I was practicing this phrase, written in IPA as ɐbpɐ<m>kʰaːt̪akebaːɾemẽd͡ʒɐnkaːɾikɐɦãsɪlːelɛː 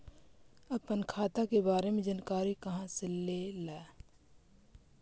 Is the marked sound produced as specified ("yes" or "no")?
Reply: no